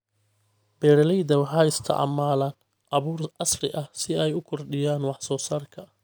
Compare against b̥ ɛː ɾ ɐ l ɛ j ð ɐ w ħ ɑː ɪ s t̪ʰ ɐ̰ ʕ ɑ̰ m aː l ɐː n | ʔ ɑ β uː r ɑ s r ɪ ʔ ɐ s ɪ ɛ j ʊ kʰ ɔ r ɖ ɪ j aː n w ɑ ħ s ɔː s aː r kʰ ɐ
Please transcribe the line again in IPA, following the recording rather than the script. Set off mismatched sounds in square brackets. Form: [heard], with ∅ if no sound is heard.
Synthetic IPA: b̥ ɛː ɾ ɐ l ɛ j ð ɐ w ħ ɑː ɪ s t̪ʰ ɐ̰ ʕ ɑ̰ m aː l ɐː n | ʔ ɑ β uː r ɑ s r ɪ ʔ ɐ s ɪ ɛ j ʊ kʰ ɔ r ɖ ɪ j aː n w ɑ ħ s ɔː s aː r kʰ ɐ